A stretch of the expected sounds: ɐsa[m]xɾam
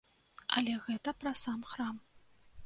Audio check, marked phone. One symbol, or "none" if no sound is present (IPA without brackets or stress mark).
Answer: m